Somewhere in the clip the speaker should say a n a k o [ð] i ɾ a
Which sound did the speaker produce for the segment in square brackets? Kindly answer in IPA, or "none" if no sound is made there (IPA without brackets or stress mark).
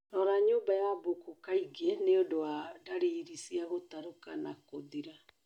ð